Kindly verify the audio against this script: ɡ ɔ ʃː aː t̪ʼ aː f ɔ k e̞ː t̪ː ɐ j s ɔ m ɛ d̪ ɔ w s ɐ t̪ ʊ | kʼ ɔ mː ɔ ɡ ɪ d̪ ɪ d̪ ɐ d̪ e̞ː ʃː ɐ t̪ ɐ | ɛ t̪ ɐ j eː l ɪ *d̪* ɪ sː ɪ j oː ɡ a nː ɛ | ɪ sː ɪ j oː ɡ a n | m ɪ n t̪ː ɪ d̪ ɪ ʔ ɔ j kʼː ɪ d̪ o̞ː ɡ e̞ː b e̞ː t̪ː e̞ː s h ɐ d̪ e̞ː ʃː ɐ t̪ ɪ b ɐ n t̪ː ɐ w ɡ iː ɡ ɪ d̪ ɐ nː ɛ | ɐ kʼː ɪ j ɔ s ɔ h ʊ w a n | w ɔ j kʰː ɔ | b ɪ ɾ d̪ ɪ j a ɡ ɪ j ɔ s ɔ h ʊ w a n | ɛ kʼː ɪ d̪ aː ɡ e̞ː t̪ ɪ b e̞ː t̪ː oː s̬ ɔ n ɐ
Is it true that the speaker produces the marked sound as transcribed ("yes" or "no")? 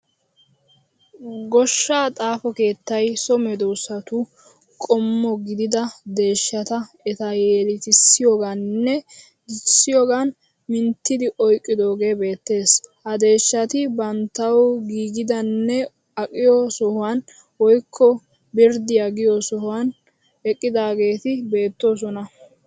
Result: no